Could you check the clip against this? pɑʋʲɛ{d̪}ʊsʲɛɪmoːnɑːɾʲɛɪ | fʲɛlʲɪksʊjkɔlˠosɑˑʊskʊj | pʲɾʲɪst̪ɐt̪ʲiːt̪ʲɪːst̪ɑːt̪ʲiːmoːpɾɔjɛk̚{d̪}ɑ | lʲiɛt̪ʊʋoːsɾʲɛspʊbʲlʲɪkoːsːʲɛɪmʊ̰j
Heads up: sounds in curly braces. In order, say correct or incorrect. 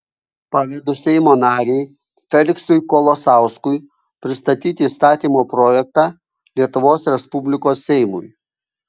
correct, incorrect: t̪

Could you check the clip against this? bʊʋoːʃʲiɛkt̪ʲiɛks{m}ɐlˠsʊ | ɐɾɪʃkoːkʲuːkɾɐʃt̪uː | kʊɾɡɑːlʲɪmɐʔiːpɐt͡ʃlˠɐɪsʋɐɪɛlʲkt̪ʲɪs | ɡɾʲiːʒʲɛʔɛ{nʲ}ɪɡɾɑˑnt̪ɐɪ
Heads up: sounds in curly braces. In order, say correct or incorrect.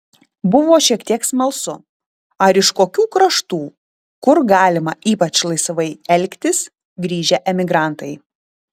correct, incorrect: mʲ

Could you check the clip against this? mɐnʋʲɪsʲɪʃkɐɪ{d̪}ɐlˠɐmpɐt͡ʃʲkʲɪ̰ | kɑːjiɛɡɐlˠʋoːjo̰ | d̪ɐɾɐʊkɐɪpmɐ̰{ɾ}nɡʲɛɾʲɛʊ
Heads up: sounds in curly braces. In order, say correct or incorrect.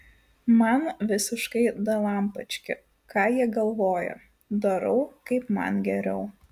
correct, incorrect: none

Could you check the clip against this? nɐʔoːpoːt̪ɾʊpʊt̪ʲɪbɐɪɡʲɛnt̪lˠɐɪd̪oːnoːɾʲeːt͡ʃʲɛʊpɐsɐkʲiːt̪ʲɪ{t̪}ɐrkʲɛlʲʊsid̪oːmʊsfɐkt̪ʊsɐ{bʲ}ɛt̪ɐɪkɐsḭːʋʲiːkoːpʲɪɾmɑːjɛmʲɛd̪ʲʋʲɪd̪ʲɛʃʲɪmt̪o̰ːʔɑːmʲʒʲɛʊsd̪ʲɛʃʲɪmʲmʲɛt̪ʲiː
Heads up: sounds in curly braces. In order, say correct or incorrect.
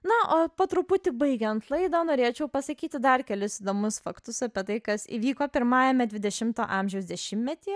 incorrect: d̪, incorrect: pʲ

